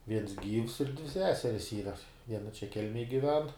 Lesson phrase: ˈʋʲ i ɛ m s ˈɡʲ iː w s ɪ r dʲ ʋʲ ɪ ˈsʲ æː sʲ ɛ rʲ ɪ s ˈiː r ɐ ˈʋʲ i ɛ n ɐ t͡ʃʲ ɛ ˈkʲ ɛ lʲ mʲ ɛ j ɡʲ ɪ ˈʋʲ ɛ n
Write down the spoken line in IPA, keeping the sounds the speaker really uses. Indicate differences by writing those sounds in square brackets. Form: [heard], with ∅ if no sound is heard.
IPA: ˈʋʲ i ɛ [n] s ˈɡʲ iː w s ɪ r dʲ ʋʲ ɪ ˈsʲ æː sʲ ɛ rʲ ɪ s ˈiː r ɐ ˈʋʲ i ɛ n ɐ t͡ʃʲ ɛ ˈkʲ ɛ lʲ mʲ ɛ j ɡʲ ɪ ˈʋʲ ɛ n

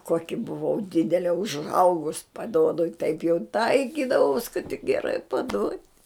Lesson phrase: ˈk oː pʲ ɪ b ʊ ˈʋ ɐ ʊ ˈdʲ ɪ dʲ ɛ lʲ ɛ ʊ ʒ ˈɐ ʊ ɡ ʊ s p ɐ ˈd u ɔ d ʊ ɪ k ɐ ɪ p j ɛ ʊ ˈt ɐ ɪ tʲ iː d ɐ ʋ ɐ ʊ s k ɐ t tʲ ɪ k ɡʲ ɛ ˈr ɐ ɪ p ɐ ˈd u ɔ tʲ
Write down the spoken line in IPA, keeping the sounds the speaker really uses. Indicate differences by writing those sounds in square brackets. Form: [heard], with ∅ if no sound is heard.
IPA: ˈk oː [kʲ] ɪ b ʊ ˈʋ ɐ ʊ ˈdʲ ɪ dʲ ɛ lʲ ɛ ʊ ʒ ˈɐ ʊ ɡ ʊ s p ɐ ˈd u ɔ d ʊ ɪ [t] ɐ ɪ p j ɛ ʊ ˈt ɐ ɪ [kʲ] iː d ɐ ʋ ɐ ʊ s k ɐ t tʲ ɪ k ɡʲ ɛ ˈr ɐ ɪ p ɐ ˈd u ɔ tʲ

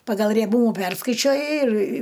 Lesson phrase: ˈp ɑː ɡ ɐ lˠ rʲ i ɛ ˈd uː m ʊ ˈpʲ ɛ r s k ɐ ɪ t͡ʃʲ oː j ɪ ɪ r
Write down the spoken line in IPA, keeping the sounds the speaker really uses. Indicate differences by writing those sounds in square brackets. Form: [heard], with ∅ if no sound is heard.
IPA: ˈp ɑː ɡ ɐ lˠ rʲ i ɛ [ˈb] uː m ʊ ˈpʲ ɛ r s k ɐ ɪ t͡ʃʲ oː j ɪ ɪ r

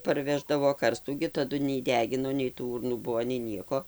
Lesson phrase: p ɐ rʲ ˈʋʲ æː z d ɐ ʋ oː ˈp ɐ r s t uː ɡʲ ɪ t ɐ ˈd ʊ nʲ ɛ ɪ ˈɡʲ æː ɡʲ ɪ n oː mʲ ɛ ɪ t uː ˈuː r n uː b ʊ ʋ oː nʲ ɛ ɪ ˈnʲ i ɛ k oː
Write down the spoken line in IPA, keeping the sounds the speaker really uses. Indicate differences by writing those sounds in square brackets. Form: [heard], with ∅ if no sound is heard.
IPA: p ɐ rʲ ˈʋʲ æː [ʒ] d ɐ ʋ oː [ˈk] ɐ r s t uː ɡʲ ɪ t ɐ ˈd ʊ nʲ ɛ ɪ [ˈdʲ] æː ɡʲ ɪ n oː [nʲ] ɛ ɪ t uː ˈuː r n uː b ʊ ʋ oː nʲ ɛ ɪ ˈnʲ i ɛ k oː

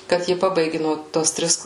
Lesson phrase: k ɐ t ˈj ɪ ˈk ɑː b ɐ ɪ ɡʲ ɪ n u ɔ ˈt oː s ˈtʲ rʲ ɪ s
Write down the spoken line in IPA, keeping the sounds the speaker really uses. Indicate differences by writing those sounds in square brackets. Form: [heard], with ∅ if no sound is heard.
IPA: k ɐ t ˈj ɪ [ˈp] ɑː b ɐ ɪ ɡʲ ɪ n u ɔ ˈt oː s ˈtʲ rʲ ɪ s

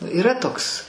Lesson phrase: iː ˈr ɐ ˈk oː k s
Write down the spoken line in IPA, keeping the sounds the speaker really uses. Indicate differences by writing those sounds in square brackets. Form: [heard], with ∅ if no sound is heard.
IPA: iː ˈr ɐ [ˈt] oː k s

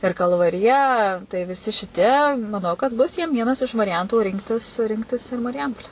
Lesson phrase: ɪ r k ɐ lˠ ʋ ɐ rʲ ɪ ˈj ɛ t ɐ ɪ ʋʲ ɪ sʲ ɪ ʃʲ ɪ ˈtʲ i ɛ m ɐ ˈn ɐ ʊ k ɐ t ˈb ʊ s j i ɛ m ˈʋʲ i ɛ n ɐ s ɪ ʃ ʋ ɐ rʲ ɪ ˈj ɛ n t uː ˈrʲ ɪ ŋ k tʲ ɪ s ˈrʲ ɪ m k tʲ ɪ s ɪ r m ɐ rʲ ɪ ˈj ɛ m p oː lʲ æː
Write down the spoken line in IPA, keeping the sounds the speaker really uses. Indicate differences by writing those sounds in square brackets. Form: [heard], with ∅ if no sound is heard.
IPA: ɪ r k ɐ lˠ ʋ ɐ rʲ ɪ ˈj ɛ t ɐ ɪ ʋʲ ɪ sʲ ɪ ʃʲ ɪ ˈtʲ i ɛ m ɐ ˈn ɐ ʊ k ɐ t ˈb ʊ s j i ɛ m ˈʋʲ i ɛ n ɐ s ɪ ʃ ʋ ɐ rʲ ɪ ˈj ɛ n t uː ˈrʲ ɪ ŋ k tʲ ɪ s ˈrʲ ɪ [ŋ] k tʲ ɪ s ɪ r m ɐ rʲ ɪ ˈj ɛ m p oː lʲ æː

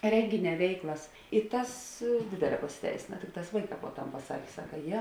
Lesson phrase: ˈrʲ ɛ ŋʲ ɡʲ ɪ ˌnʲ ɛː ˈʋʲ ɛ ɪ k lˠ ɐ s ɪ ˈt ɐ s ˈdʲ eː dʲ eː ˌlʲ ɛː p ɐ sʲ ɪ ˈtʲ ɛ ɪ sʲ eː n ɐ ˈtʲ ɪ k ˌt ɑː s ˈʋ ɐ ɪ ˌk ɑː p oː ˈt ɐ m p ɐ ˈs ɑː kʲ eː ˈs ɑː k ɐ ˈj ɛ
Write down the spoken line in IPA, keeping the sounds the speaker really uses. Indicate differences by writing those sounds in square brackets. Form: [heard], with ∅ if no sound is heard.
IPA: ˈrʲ ɛ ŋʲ ɡʲ ɪ ˌnʲ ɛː ˈʋʲ ɛ ɪ k lˠ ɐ s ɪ ˈt ɐ s ˈdʲ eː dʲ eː ˌlʲ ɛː p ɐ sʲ ɪ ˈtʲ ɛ ɪ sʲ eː n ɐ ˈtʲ ɪ k ˌt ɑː s ˈʋ ɐ ɪ ˌk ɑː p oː ˈt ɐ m p ɐ ˈs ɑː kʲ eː ˈs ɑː k ɐ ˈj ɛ

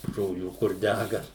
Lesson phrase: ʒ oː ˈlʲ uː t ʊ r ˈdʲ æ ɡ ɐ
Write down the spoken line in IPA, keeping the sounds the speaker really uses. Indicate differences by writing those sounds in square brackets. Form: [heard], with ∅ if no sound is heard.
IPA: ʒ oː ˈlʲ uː [k] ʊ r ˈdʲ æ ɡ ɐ

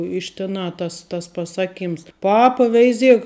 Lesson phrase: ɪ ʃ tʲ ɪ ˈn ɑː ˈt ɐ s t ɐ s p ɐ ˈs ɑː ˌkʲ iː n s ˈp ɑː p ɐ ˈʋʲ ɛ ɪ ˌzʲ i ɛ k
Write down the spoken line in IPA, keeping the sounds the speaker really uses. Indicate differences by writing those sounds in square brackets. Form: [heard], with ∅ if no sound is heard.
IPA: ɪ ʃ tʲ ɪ ˈn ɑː ˈt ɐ s t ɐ s p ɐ ˈs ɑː ˌkʲ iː [m] s ˈp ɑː p ɐ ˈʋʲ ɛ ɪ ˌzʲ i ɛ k

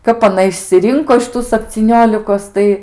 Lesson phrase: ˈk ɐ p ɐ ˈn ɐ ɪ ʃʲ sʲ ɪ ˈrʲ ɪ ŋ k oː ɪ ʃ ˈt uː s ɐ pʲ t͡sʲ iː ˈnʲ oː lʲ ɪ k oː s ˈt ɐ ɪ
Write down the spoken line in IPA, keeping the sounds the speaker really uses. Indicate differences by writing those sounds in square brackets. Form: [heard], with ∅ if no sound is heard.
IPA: ˈk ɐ p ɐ ˈn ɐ ɪ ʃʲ sʲ ɪ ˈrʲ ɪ ŋ k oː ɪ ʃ ˈt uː s ɐ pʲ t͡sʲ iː ˈnʲ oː lʲ ɪ k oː s ˈt ɐ ɪ

